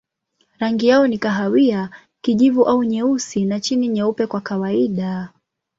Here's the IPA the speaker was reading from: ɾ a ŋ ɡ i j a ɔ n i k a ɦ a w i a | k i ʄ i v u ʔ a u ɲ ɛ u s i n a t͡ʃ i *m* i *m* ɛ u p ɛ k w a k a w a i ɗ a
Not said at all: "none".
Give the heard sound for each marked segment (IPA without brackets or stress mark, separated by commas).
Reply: n, ɲ